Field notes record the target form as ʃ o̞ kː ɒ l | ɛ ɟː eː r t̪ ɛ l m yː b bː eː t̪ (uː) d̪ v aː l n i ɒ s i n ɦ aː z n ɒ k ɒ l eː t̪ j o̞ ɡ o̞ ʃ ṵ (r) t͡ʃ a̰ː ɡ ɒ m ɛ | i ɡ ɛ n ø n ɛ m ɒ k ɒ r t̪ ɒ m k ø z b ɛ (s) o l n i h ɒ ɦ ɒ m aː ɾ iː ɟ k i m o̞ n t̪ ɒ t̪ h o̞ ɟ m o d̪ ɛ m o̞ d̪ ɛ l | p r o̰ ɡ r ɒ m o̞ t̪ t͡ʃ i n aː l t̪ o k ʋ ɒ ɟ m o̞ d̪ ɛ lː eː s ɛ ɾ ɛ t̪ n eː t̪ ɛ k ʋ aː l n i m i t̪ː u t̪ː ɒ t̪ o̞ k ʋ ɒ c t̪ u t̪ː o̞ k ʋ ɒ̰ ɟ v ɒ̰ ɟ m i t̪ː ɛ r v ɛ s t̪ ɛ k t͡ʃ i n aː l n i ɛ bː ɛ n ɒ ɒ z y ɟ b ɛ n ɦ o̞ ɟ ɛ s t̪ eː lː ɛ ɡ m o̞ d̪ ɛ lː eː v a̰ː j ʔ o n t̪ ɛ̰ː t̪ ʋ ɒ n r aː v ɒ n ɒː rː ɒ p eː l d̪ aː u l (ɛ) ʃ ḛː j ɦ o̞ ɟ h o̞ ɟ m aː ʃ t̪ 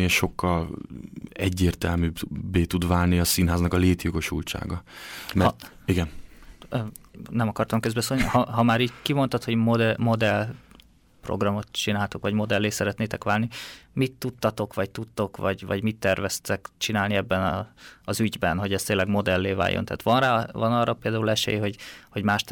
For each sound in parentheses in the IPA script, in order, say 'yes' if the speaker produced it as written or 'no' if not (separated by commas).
no, no, yes, yes